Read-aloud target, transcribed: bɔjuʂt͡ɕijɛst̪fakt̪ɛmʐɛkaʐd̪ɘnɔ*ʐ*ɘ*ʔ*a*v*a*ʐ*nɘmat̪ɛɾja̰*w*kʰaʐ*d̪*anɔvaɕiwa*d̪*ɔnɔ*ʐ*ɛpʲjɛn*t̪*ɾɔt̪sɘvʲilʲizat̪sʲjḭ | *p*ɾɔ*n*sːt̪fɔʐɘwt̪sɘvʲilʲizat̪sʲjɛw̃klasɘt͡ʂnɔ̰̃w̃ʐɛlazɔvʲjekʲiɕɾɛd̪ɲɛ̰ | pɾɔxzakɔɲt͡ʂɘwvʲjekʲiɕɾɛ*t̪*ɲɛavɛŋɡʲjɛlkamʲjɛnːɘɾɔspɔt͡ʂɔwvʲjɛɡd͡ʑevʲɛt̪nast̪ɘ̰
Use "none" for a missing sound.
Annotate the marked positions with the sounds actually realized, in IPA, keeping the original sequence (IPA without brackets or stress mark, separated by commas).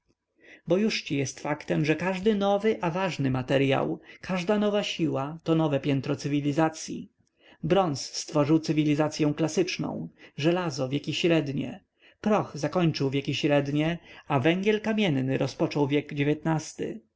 v, ʔ, v, ʐ, w, d̪, t̪, v, t̪, b, n, d̪